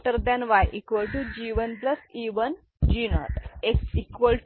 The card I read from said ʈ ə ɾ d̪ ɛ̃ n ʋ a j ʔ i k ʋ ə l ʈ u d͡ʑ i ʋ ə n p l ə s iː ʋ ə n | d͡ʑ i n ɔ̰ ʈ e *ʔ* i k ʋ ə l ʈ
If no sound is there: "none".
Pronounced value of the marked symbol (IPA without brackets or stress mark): k